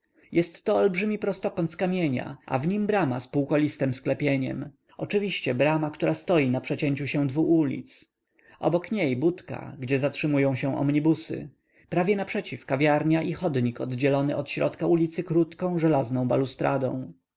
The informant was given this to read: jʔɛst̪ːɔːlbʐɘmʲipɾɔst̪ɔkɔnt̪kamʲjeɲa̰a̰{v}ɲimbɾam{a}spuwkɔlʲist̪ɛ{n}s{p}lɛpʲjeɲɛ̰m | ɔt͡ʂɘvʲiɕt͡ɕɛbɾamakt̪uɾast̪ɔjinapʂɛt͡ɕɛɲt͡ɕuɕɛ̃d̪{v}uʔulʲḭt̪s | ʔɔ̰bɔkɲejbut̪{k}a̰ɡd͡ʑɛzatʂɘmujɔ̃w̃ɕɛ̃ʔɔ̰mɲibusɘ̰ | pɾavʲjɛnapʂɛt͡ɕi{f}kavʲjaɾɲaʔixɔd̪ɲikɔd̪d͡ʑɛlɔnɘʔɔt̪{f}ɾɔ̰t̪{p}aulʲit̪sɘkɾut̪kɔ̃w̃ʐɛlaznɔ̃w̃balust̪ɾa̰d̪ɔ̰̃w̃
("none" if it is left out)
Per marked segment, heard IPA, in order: v, a, m, k, v, k, f, ɕ, k

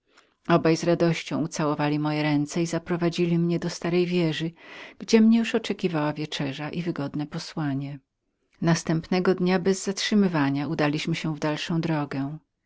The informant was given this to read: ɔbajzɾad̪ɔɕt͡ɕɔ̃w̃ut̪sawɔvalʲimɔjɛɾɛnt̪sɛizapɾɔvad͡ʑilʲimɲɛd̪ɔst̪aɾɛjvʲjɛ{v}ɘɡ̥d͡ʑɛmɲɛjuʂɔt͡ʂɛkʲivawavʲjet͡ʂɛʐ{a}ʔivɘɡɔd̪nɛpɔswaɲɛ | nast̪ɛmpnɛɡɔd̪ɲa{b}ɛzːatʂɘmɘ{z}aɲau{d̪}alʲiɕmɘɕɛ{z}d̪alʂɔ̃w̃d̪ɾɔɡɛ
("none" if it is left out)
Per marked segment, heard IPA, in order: ʐ, a, b, v, d̪, v

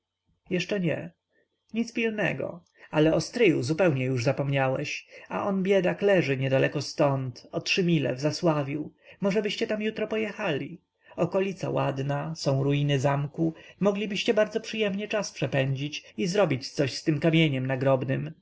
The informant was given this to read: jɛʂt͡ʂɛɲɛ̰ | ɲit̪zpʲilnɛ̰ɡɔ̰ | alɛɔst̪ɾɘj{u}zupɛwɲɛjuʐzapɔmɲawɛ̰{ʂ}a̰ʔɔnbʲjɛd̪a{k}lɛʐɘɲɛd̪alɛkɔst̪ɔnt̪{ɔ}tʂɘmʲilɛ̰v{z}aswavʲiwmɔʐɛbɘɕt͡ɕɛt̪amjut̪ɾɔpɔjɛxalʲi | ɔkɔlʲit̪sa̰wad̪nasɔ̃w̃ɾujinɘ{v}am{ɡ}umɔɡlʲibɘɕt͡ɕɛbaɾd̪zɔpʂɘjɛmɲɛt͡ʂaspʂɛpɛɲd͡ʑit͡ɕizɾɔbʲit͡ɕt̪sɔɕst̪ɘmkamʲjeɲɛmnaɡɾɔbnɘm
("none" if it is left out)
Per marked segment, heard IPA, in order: u, ɕ, k, ɔ, z, z, k

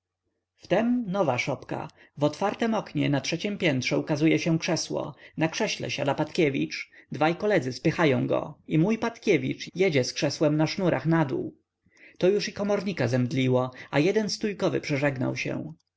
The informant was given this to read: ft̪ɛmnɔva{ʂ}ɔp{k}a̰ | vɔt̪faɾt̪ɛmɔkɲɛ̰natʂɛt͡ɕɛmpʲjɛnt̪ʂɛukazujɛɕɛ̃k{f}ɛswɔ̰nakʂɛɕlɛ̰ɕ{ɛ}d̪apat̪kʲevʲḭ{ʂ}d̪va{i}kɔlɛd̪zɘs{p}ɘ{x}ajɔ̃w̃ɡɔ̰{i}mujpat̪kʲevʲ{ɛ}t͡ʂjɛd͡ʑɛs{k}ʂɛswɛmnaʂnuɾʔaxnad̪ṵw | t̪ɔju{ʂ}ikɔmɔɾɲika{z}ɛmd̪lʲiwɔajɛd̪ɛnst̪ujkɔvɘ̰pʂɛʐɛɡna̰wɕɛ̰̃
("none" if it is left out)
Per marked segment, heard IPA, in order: ʂ, k, ʂ, a, t͡ʂ, j, p, x, i, i, k, ʂ, z

